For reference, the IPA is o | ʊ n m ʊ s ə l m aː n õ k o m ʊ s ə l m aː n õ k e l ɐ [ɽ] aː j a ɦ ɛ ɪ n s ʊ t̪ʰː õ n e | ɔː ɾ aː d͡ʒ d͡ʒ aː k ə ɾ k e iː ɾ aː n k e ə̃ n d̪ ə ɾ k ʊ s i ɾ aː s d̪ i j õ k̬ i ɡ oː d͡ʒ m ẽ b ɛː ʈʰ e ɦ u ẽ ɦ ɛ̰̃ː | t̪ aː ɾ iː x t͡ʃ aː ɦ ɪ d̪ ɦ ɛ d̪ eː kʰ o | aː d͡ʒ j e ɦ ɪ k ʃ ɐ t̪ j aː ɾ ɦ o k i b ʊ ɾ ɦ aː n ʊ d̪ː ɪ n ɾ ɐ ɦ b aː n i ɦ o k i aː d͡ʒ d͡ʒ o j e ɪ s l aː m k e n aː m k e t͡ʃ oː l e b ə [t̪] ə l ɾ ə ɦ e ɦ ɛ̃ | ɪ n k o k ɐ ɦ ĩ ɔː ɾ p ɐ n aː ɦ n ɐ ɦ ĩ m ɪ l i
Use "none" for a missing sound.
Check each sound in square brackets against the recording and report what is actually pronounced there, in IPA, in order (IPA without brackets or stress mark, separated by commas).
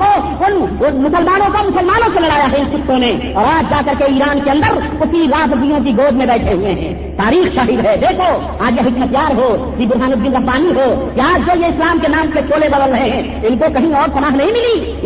ɽ, d̪